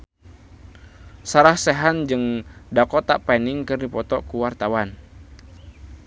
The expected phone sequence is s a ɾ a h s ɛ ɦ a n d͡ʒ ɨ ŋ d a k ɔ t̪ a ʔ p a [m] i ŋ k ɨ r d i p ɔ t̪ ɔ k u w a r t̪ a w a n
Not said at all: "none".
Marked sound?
n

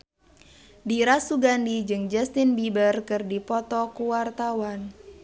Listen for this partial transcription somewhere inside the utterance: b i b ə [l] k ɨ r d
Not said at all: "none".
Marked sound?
r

